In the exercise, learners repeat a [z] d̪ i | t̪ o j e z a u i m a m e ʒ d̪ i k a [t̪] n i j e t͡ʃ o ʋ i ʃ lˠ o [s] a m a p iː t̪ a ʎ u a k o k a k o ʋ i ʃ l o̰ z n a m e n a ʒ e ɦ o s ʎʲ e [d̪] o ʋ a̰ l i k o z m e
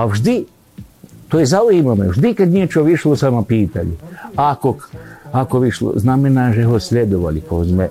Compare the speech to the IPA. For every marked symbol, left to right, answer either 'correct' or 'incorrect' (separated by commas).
incorrect, incorrect, correct, correct